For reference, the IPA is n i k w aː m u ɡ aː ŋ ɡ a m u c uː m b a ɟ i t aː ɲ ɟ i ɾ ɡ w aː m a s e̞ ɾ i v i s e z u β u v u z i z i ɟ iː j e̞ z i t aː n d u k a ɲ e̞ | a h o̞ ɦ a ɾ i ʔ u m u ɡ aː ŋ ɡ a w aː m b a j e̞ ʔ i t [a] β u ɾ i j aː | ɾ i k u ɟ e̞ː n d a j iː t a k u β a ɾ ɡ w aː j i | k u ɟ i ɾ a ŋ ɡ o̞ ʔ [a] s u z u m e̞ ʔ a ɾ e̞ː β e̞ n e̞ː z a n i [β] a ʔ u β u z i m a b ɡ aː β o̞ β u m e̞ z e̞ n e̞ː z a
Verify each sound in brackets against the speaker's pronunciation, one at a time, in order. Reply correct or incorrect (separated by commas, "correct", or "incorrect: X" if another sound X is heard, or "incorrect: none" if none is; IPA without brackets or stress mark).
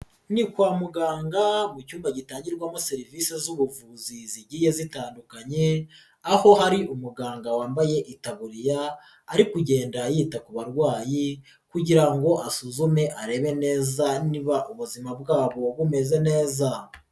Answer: correct, correct, correct